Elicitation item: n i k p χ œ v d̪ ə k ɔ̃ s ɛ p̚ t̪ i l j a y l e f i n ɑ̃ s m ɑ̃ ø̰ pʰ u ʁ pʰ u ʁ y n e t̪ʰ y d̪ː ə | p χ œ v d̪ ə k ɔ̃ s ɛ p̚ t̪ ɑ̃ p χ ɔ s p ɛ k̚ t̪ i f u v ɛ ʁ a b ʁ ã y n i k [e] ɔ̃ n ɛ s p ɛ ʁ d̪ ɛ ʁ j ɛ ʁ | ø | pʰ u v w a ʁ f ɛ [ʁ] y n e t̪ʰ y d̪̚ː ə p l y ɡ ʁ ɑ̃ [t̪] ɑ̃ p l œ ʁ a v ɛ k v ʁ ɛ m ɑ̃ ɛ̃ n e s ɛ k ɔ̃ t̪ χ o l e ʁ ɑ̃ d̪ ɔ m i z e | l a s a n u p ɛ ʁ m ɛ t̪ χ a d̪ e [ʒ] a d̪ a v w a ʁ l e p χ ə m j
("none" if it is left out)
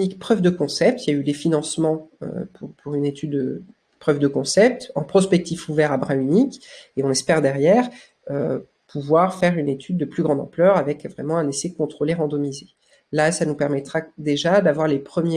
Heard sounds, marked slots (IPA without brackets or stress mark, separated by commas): e, ʁ, d̪, ʒ